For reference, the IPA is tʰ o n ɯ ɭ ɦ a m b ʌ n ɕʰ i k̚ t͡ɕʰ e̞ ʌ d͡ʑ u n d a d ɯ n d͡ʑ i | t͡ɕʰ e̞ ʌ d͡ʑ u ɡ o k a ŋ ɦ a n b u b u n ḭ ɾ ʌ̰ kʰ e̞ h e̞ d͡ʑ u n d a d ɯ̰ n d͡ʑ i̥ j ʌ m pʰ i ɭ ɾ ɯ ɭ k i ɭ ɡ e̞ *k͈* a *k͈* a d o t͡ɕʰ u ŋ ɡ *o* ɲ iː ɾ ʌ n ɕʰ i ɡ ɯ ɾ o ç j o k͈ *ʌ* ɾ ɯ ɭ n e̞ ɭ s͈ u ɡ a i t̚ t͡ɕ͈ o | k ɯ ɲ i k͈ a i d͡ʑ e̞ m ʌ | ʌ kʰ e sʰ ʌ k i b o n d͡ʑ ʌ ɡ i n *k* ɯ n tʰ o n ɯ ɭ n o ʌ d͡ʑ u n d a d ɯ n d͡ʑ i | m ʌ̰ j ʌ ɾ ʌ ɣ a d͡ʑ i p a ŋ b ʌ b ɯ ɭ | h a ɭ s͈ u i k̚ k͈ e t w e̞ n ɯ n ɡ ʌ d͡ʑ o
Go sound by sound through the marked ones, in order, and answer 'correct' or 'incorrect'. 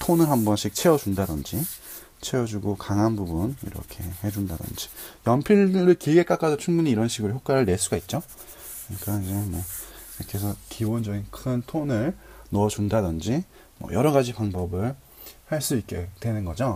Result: correct, correct, incorrect, incorrect, incorrect

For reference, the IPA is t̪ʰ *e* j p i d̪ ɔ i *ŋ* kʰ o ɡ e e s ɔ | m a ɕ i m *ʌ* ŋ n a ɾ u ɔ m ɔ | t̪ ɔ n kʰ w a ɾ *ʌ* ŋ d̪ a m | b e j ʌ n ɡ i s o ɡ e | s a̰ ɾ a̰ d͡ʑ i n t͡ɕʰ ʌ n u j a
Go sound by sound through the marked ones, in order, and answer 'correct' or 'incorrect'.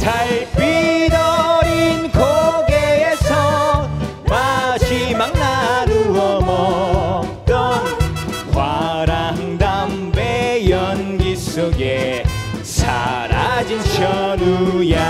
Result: incorrect, incorrect, incorrect, incorrect

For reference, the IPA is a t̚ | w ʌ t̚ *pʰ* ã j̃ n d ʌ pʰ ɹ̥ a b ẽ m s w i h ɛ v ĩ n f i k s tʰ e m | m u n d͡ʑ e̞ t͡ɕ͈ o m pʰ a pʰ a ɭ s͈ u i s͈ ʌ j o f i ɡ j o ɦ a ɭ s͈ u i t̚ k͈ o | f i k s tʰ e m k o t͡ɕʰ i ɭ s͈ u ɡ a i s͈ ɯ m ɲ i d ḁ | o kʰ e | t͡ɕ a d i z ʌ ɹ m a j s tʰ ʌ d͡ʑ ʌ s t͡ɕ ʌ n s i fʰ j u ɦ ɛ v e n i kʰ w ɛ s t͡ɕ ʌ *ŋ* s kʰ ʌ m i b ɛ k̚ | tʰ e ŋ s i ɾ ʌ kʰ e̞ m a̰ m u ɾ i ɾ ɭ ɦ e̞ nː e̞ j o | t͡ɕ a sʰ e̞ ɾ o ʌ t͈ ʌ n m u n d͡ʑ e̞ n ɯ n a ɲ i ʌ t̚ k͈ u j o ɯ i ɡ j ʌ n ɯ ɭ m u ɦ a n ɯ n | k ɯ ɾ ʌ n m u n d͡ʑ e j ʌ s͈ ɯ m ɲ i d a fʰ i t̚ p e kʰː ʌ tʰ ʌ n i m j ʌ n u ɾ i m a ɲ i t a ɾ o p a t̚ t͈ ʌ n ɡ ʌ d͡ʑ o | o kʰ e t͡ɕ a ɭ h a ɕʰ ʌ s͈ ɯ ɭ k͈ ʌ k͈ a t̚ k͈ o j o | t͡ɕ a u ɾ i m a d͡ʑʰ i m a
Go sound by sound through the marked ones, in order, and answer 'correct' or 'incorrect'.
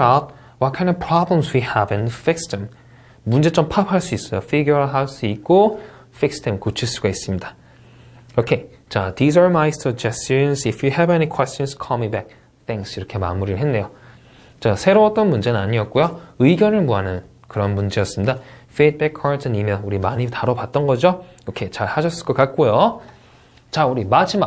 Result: incorrect, incorrect

